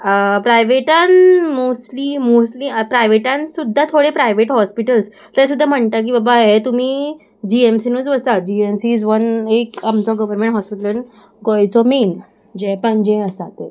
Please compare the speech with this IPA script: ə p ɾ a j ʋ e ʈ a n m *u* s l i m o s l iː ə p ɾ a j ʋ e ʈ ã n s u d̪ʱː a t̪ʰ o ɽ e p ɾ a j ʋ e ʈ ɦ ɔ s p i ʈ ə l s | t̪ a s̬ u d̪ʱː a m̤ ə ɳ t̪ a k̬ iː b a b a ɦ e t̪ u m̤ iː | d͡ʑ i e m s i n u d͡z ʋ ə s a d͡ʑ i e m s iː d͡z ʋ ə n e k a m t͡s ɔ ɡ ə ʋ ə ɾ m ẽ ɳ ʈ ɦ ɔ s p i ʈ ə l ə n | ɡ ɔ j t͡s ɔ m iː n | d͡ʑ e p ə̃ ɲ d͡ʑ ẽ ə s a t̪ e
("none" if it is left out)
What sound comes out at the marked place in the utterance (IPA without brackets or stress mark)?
o